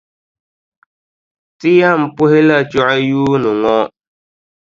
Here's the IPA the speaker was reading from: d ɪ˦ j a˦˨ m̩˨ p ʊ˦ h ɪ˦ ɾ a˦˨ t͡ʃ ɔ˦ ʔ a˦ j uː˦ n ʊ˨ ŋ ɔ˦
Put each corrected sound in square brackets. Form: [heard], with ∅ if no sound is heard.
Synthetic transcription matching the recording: [t] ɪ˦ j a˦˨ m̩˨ p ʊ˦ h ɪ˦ [l] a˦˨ t͡ʃ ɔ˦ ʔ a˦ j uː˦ n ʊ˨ ŋ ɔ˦